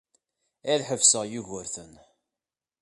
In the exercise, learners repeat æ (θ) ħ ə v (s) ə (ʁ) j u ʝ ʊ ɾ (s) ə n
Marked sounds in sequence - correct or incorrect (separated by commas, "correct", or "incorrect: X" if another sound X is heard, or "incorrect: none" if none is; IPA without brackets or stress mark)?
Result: incorrect: ð, correct, correct, incorrect: θ